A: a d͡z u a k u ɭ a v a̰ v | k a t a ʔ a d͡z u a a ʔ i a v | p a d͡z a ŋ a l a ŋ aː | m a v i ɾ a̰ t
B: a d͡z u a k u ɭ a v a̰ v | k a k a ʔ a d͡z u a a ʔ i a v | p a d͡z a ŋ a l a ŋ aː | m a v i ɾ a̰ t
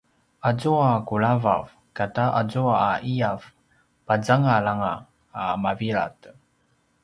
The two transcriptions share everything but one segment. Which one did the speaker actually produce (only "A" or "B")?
A